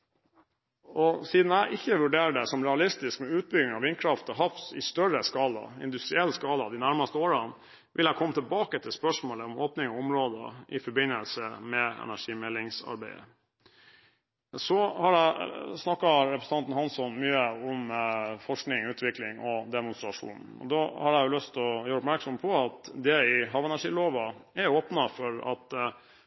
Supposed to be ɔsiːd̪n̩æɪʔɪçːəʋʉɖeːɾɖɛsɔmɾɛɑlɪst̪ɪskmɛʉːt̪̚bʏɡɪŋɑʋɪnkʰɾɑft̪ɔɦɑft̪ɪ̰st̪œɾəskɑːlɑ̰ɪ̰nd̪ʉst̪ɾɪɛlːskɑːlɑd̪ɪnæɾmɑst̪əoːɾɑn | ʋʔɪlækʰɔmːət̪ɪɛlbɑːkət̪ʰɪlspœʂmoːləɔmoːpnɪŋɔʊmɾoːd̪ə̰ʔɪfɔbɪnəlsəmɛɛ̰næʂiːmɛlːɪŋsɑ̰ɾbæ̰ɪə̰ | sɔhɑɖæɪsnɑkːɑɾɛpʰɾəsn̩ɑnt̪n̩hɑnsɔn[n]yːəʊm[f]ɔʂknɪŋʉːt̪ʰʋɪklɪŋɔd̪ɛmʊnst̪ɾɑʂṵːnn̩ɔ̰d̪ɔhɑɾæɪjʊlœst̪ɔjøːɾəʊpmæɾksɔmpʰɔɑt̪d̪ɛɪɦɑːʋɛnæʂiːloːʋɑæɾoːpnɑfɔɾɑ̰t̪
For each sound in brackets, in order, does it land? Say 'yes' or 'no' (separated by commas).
no, yes